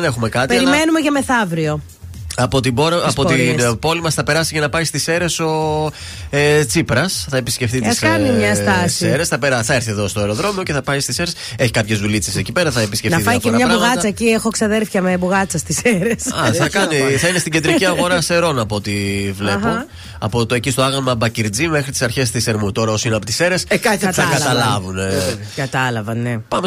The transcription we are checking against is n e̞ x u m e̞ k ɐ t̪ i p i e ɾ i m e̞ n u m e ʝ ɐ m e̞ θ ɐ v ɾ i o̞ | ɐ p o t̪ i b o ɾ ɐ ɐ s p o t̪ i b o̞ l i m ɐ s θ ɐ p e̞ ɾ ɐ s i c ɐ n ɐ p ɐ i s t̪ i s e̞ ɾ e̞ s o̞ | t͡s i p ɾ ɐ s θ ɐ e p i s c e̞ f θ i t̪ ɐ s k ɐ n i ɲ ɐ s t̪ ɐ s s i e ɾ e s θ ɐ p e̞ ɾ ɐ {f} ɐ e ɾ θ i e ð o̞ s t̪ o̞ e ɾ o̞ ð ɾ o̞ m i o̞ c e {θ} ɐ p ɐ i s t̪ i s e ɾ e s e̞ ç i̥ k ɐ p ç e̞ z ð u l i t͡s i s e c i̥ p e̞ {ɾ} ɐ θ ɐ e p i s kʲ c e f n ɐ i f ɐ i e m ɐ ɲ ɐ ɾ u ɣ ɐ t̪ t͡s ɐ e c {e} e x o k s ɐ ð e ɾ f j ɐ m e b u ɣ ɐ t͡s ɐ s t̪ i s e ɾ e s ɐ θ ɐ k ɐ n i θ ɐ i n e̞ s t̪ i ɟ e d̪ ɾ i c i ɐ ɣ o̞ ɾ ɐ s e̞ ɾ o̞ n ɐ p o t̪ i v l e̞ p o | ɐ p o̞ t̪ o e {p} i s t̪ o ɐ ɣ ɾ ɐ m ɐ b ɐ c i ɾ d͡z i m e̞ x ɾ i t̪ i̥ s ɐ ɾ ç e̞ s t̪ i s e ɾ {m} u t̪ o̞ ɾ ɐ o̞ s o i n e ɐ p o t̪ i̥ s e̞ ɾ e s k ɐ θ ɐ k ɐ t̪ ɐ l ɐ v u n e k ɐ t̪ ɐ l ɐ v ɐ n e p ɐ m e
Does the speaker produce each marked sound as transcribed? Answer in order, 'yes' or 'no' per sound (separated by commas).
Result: no, yes, yes, no, no, yes